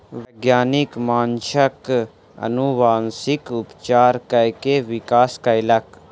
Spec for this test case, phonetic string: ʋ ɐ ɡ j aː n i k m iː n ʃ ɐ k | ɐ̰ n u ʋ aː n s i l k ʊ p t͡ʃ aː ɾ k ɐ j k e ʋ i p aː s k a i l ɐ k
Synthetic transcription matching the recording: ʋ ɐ ɡ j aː n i k m aː n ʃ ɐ k | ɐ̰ n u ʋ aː n s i k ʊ p t͡ʃ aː ɾ k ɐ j k e ʋ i k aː s k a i l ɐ k